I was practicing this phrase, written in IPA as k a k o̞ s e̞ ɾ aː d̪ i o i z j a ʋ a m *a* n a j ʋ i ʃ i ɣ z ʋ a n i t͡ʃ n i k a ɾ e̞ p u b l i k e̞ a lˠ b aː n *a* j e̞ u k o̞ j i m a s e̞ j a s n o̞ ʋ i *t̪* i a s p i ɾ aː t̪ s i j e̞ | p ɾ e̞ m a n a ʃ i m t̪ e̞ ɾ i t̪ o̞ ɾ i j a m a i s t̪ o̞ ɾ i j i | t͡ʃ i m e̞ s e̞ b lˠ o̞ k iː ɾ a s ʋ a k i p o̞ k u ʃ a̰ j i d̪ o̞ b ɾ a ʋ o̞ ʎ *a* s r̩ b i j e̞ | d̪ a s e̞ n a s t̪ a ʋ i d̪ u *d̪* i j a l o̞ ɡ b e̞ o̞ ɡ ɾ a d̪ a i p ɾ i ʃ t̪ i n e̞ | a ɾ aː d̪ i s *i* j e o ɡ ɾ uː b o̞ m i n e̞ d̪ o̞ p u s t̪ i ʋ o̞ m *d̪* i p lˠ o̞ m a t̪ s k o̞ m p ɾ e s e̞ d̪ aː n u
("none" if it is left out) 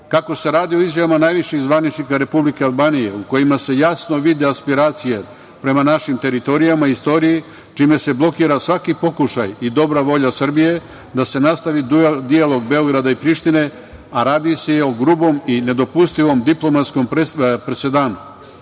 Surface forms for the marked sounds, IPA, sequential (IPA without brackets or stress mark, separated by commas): a, i, d̪, a, d̪, e, d̪